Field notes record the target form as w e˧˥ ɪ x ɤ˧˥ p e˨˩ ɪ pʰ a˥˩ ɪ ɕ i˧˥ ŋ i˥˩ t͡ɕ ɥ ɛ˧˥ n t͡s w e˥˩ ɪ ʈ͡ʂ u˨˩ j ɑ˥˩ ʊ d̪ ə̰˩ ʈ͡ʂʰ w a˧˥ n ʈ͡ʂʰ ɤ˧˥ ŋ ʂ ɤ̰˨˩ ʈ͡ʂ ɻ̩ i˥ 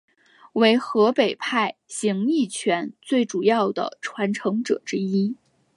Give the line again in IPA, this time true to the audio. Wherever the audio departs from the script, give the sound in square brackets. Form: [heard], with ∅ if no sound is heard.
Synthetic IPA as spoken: w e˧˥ ɪ x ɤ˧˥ p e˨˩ ɪ pʰ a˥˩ ɪ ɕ i˧˥ ŋ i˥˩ [t͡ɕʰ] ɥ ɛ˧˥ n t͡s w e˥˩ ɪ ʈ͡ʂ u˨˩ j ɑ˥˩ ʊ d̪ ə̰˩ ʈ͡ʂʰ w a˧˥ n ʈ͡ʂʰ ɤ˧˥ ŋ [ʈ͡ʂ] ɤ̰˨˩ ʈ͡ʂ ɻ̩ i˥